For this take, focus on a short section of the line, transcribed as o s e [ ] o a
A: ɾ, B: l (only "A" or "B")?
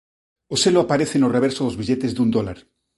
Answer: B